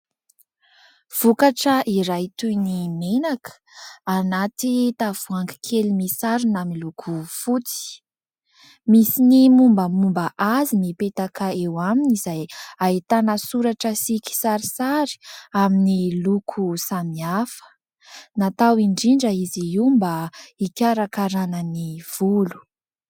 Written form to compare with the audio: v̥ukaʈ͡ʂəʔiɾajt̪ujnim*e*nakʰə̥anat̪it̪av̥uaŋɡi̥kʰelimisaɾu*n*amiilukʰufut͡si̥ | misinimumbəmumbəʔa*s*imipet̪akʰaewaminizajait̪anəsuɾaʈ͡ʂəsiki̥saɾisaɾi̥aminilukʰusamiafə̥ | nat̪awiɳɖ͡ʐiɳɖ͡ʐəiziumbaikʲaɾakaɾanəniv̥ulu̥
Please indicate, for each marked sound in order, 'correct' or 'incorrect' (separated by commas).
correct, correct, incorrect